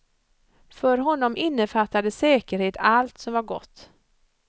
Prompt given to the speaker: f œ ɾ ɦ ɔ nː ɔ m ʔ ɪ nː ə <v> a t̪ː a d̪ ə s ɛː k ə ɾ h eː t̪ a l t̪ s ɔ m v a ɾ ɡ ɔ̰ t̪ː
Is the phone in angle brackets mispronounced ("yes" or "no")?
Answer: yes